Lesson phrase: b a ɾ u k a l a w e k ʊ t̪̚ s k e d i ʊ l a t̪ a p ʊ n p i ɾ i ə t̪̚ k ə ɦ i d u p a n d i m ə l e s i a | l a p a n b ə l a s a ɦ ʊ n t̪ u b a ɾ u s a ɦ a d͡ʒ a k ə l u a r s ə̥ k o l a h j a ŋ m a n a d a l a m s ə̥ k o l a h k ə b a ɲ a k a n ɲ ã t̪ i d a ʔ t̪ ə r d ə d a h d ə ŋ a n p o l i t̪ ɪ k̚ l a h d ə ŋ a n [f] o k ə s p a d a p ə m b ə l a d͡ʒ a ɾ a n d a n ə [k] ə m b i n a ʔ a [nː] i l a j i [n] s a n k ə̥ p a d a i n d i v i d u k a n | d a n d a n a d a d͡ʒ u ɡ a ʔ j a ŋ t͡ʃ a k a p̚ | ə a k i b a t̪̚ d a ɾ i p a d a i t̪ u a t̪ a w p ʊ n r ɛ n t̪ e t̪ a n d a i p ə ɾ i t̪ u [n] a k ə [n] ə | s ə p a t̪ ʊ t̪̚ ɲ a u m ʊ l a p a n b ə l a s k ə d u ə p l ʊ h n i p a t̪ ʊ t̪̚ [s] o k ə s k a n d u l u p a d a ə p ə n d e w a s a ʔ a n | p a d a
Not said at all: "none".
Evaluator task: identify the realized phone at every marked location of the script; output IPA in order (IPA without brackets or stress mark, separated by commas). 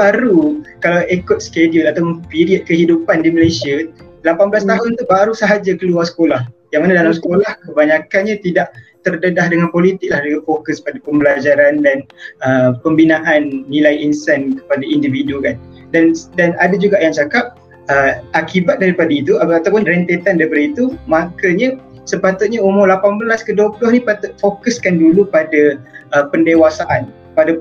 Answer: f, p, nː, n, m, ɲ, f